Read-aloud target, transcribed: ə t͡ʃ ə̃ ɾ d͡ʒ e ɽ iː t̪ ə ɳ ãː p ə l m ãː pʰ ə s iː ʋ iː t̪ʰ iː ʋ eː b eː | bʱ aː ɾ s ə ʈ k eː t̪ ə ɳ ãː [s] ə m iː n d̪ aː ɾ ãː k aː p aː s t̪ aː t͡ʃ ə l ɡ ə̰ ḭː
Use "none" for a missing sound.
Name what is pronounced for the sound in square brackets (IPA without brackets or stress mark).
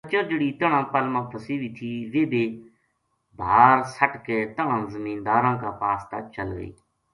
z